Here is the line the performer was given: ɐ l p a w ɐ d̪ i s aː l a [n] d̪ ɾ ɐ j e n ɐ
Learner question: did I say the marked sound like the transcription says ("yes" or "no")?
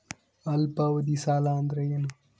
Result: yes